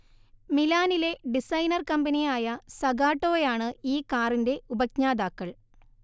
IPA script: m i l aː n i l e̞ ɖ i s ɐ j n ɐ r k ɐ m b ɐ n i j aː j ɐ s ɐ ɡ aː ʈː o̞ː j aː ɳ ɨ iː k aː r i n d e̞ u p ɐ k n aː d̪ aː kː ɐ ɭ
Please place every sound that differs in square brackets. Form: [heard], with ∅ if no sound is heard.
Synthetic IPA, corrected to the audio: m i l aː n i l e̞ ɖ i s ɐ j n ɐ r k ɐ m b ɐ n i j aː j ɐ s ɐ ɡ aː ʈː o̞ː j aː ɳ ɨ iː k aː r i n d e̞ u [b] ɐ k [ɲ] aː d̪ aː kː ɐ ɭ